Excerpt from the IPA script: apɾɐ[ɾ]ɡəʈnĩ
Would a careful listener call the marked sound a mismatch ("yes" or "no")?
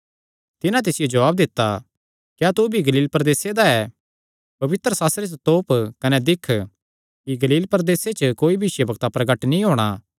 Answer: yes